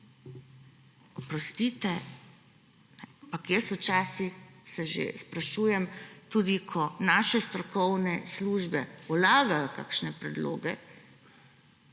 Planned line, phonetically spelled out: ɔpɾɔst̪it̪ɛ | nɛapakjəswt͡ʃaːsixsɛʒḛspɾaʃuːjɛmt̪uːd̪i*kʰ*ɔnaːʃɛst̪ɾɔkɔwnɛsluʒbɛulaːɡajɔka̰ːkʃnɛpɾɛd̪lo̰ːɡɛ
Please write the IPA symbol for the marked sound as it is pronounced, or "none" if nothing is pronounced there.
kʰ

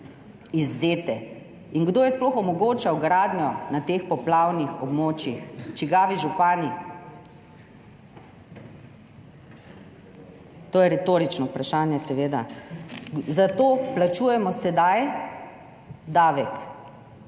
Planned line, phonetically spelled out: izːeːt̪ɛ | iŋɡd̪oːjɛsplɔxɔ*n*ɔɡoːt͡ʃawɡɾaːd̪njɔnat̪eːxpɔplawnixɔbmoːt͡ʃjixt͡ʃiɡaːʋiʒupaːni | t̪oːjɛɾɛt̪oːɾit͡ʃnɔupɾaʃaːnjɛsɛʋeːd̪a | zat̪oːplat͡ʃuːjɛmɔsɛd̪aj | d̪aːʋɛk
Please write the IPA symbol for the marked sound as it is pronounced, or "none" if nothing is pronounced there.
m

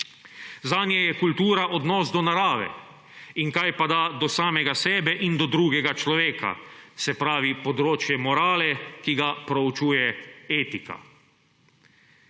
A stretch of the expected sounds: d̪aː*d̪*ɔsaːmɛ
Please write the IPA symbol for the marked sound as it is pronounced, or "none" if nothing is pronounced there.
d̪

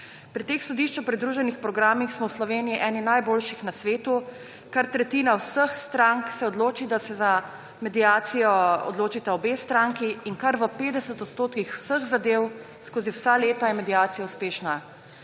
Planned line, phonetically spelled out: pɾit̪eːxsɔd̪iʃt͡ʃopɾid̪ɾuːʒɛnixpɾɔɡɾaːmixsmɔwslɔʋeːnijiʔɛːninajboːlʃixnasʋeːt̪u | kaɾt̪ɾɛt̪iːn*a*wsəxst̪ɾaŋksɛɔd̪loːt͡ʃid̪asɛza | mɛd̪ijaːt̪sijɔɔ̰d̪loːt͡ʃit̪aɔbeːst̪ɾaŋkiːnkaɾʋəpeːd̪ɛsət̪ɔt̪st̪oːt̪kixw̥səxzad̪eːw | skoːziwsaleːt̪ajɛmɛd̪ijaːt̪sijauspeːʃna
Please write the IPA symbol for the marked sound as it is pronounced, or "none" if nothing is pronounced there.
a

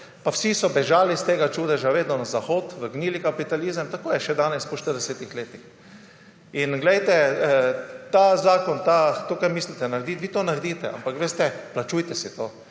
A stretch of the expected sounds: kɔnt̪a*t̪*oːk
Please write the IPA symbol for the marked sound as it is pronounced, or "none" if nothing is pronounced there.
t̪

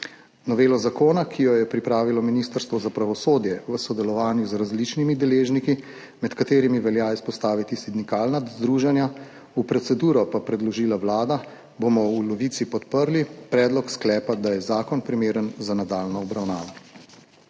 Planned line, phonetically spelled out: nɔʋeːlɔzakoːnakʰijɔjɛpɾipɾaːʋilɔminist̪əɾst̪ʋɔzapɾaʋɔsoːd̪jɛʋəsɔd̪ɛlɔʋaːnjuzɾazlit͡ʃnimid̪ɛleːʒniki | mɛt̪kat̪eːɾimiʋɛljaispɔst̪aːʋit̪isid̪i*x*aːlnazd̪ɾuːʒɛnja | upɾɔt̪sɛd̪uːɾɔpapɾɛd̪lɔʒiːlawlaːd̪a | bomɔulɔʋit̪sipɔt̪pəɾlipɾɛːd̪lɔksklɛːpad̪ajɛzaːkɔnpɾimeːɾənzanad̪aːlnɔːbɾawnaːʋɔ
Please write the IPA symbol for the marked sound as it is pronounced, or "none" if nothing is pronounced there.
k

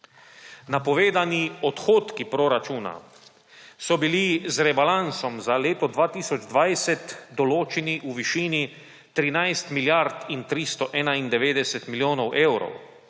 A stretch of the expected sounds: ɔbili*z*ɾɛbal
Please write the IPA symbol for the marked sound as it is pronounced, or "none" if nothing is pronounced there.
z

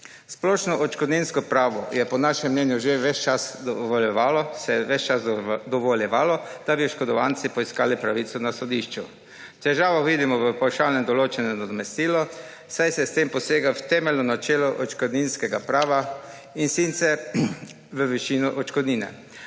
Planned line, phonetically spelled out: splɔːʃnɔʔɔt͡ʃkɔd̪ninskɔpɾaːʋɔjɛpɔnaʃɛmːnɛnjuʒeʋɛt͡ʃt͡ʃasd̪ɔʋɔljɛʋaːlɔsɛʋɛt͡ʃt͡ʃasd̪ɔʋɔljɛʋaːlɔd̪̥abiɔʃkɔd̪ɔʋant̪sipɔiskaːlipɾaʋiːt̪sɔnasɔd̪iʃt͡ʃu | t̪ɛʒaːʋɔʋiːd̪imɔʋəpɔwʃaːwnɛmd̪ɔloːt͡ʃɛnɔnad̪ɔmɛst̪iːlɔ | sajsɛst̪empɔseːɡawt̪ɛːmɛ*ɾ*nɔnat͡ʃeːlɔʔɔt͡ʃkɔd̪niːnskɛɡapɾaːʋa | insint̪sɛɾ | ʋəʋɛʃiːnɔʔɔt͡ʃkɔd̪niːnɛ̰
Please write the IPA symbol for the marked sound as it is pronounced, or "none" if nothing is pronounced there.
l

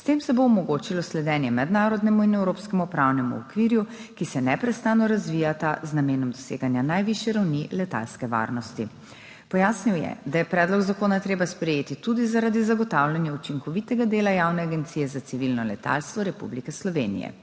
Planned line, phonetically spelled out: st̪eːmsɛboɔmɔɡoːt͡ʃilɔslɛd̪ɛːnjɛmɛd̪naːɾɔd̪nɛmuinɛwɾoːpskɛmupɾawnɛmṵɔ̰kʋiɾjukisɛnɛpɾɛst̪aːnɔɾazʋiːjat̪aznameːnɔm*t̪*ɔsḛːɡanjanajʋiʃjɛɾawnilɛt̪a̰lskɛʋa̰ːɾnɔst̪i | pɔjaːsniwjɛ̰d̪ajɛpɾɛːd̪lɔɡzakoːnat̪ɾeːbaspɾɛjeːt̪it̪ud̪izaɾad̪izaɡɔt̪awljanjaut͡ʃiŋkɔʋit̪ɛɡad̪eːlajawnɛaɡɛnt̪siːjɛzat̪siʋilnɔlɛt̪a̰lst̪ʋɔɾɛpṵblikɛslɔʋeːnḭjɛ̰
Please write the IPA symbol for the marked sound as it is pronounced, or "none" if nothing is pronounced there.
d̪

